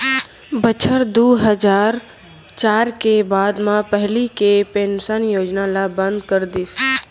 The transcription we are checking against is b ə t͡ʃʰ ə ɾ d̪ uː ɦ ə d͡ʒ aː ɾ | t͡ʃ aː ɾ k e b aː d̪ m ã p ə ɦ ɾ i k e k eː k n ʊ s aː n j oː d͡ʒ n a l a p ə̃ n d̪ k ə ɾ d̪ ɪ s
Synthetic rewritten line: b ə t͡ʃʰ ə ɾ d̪ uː ɦ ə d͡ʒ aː ɾ | t͡ʃ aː ɾ k e b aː d̪ m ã p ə ɦ l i k e p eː n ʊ s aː n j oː d͡ʒ n a l a b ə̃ n d̪ k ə ɾ d̪ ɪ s